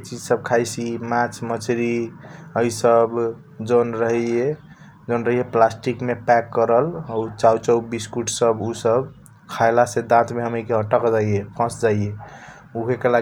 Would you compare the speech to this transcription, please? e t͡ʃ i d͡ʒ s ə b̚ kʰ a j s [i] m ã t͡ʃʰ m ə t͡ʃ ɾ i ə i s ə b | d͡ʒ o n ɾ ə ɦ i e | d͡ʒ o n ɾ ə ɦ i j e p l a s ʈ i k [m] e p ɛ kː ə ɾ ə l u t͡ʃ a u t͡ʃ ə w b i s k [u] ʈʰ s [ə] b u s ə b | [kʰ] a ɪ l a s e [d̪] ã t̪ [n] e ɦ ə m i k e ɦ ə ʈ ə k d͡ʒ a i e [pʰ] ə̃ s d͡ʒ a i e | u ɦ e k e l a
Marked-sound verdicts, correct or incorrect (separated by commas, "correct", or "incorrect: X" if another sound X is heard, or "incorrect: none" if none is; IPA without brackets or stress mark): correct, correct, correct, correct, correct, correct, incorrect: m, correct